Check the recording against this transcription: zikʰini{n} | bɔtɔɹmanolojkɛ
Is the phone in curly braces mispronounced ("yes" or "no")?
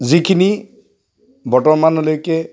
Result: yes